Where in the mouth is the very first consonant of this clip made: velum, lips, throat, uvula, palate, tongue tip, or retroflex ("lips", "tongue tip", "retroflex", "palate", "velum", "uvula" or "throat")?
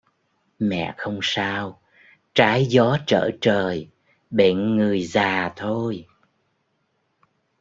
lips